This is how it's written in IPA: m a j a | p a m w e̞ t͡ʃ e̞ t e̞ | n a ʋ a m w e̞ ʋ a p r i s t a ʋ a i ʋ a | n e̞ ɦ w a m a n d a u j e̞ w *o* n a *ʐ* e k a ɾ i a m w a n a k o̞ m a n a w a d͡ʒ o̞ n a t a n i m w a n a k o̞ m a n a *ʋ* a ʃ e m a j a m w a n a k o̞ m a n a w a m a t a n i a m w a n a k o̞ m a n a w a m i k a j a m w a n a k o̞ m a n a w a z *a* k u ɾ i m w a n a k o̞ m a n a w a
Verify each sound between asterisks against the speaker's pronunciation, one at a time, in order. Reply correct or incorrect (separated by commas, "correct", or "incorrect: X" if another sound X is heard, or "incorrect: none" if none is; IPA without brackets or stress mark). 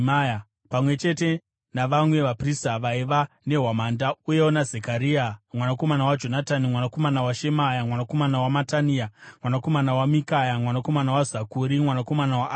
correct, incorrect: z, incorrect: w, correct